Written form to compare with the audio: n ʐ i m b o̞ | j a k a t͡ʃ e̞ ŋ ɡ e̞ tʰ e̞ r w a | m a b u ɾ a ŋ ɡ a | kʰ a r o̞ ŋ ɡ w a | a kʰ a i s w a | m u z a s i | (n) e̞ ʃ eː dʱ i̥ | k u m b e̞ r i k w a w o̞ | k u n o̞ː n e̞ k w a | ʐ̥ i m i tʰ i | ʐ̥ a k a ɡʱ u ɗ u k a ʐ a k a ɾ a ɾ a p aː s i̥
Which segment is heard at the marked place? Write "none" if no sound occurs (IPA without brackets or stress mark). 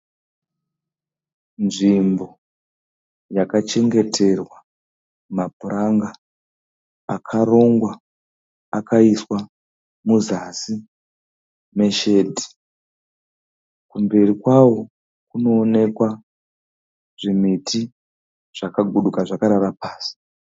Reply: m